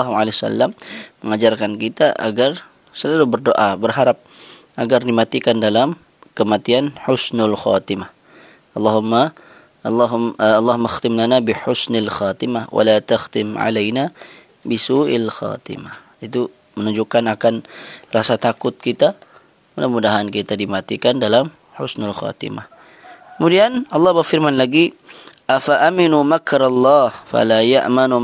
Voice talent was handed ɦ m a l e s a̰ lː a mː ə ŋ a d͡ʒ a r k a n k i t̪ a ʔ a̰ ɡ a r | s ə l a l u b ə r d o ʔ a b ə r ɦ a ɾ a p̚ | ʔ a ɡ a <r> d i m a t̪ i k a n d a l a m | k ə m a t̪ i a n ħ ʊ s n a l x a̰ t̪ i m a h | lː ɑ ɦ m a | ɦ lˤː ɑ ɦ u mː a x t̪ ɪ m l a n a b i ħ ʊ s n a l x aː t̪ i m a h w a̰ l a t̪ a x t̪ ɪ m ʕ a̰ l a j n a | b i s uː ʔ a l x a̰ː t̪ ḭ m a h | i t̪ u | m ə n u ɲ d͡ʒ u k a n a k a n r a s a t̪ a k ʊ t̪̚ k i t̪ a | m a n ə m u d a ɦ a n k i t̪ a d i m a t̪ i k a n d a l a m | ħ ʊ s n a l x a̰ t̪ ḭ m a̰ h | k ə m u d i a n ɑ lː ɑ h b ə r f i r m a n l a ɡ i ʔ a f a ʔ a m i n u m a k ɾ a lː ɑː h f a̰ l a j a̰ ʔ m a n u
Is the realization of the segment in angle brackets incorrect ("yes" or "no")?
no